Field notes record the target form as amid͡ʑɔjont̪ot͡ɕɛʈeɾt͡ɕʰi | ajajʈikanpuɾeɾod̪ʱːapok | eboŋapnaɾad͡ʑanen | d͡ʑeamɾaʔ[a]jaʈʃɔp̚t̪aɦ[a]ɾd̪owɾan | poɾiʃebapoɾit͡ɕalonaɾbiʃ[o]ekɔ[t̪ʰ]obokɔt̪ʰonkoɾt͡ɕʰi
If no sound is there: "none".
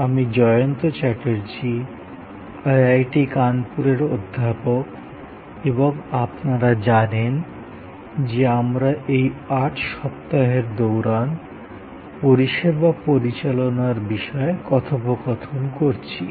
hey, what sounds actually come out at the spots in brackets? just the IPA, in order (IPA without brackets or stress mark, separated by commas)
e, e, ɔ, t̪ʰ